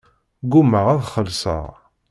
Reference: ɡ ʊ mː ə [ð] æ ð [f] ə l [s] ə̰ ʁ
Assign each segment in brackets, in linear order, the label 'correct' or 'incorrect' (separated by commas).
incorrect, incorrect, correct